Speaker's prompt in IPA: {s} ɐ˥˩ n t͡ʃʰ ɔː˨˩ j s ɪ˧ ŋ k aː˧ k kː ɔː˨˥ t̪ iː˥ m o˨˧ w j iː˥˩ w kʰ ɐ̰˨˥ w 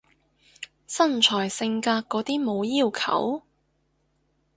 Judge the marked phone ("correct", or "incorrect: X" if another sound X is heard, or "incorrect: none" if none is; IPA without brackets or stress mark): correct